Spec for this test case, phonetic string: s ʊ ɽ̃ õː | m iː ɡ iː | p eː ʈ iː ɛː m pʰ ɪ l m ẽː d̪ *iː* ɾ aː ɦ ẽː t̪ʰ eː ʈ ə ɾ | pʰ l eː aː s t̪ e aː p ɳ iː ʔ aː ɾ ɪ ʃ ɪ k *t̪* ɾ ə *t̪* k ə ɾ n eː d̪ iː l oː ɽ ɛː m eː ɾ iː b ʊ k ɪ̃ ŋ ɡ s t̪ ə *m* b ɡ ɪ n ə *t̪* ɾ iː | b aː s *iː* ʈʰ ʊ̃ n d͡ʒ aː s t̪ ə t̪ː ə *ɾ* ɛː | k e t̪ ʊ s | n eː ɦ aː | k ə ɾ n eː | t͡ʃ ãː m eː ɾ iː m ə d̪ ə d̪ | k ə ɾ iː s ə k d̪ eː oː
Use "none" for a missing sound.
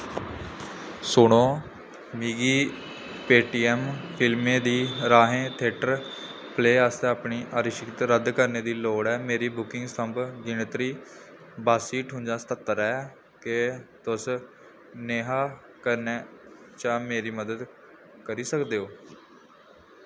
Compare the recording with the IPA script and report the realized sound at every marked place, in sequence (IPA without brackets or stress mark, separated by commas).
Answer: iː, t̪, d̪, m, t̪, iː, ɾ